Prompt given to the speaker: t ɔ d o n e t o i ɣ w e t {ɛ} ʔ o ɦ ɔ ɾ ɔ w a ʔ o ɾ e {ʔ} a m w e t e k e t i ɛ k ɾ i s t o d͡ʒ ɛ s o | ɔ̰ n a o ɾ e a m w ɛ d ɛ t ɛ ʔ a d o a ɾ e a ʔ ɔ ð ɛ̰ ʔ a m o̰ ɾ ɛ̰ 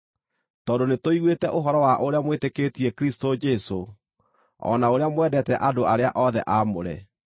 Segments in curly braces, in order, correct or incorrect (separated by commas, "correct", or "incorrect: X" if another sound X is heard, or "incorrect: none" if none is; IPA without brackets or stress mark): correct, incorrect: none